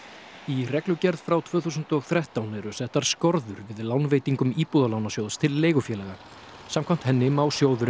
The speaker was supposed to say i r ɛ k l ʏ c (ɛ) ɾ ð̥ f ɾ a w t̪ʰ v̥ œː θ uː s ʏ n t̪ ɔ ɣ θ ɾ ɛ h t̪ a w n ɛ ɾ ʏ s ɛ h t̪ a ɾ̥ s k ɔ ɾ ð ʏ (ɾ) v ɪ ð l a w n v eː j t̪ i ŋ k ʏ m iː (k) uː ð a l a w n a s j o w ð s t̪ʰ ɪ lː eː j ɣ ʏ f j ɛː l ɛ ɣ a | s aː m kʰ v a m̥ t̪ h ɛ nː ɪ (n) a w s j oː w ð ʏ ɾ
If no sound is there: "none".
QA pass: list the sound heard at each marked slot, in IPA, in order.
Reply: ɛ, ɾ, p, m

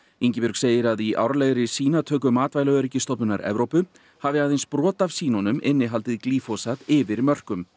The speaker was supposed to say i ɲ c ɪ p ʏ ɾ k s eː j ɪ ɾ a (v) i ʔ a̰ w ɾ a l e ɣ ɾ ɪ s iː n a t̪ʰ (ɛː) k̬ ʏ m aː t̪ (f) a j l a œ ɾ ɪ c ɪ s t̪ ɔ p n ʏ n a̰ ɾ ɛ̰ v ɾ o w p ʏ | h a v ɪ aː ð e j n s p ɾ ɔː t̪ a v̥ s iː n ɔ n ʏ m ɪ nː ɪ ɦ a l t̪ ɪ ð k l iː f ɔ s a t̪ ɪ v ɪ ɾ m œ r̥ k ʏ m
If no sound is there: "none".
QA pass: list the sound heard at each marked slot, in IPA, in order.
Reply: ð, œː, v

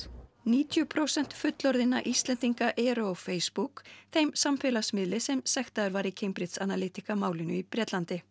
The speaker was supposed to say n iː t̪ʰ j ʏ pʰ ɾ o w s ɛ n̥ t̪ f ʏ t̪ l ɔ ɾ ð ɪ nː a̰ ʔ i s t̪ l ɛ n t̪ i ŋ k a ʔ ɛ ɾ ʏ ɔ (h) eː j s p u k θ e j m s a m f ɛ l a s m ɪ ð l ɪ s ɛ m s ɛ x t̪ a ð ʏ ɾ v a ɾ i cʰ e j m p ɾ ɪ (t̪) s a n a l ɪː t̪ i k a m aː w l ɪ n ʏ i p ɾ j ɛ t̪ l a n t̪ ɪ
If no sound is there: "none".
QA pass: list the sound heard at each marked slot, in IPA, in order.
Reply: f, t̪

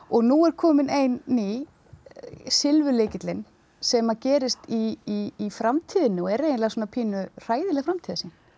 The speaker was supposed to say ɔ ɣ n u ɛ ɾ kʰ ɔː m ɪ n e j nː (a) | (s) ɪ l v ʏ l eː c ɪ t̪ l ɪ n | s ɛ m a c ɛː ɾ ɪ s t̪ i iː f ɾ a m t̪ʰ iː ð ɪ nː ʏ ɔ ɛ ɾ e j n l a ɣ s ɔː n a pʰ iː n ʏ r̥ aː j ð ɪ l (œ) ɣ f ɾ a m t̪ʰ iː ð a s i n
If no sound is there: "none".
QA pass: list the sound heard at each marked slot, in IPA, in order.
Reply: i, s, ɛ

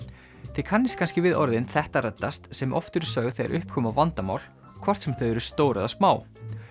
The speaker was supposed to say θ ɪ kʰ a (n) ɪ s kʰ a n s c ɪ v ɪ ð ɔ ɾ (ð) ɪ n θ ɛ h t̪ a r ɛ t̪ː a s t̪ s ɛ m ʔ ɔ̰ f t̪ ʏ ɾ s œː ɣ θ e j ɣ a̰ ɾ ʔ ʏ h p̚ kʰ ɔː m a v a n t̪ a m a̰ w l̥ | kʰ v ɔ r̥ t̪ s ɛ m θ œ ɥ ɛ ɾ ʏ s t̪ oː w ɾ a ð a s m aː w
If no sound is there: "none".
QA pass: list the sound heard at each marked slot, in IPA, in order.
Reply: nː, ð

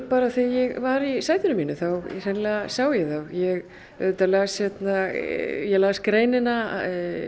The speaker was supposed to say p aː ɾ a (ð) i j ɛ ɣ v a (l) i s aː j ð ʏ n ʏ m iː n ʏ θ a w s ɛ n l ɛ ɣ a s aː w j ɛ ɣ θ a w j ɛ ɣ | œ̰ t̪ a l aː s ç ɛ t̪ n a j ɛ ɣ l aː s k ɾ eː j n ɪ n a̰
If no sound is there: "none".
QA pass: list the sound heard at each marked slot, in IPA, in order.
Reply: θ, ɾ

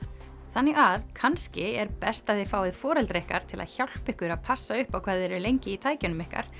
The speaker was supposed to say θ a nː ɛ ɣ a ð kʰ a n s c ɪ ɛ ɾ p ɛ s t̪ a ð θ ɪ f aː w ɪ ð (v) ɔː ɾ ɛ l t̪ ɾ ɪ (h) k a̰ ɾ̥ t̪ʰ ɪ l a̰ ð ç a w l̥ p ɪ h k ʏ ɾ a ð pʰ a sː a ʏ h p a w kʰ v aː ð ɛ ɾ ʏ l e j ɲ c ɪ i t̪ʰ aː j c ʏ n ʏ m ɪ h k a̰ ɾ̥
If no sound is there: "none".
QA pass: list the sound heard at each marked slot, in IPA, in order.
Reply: f, h

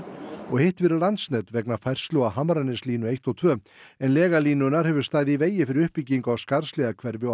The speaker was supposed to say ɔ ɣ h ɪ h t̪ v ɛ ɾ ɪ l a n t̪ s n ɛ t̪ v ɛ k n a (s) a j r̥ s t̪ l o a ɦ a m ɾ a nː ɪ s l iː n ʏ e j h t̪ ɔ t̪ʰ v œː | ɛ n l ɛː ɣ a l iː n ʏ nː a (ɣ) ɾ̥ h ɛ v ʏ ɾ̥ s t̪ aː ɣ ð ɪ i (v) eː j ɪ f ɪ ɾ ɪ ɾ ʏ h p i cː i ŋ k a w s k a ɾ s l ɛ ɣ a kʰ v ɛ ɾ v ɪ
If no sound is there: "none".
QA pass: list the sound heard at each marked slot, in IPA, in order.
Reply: f, none, v

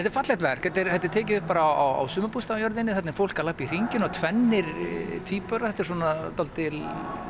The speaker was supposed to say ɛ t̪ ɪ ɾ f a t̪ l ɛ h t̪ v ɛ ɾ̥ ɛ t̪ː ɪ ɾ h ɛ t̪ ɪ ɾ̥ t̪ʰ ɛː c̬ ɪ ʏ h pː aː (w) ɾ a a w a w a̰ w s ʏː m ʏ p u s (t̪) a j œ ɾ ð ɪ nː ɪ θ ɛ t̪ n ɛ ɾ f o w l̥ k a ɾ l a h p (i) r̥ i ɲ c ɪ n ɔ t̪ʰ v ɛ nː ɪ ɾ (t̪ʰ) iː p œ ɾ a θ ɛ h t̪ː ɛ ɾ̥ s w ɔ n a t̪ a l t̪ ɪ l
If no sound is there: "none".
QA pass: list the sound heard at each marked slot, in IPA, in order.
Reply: none, t̪, i, t̪ʰ

